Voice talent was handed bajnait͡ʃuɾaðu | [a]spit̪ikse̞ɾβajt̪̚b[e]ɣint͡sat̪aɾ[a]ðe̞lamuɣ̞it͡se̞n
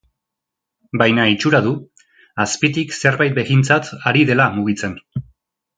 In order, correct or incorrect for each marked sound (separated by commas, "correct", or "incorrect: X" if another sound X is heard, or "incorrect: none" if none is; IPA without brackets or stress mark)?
correct, correct, incorrect: i